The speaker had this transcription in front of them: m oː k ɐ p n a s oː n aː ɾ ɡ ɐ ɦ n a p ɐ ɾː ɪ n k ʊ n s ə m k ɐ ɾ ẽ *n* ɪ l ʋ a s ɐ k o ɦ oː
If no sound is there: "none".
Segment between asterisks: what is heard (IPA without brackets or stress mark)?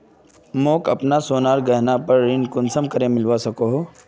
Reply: m